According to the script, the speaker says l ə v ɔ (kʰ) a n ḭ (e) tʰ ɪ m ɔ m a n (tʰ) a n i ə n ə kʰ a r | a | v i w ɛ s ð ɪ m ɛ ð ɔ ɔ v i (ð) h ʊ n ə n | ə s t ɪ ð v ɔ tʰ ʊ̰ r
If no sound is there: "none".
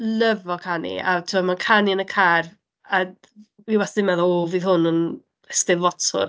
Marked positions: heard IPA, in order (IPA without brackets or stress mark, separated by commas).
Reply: kʰ, a, kʰ, ð